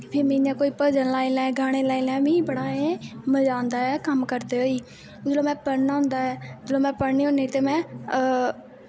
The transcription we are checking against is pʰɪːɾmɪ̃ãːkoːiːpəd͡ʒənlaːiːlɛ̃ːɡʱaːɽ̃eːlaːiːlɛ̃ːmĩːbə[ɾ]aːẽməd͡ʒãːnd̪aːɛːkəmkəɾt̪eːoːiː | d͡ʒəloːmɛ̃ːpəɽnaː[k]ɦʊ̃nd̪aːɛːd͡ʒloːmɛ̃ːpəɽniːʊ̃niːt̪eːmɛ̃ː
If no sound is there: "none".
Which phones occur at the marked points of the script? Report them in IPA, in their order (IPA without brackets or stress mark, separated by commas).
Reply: ɽ, none